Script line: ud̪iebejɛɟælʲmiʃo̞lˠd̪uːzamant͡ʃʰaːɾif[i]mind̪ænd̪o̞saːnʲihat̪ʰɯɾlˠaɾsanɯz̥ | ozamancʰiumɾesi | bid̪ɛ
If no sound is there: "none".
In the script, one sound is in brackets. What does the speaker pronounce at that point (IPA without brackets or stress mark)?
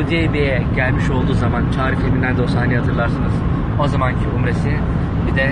e